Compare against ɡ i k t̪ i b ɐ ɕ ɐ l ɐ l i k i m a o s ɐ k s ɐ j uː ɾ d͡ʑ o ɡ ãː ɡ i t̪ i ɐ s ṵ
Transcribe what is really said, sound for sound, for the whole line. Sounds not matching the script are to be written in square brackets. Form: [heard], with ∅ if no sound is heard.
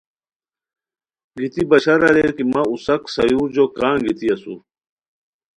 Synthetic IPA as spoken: ɡ i [∅] t̪ i b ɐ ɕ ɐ [ɾ] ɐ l [e] k i m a [u] s ɐ k s ɐ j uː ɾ d͡ʑ o [k] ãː ɡ i t̪ i ɐ s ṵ